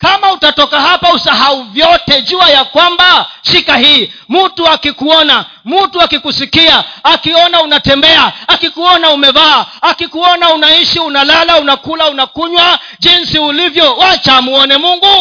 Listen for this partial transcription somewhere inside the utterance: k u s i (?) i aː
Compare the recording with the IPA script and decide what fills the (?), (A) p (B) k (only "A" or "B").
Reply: B